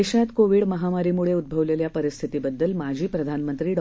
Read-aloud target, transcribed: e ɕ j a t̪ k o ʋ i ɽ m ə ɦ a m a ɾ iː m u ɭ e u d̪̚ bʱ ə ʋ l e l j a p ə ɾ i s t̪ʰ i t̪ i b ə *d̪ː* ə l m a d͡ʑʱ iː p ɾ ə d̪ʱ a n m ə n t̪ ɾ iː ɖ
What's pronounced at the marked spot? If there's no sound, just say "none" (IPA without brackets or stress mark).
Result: d̪ː